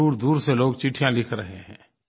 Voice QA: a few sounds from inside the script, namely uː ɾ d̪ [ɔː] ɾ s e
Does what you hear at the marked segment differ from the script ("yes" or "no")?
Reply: yes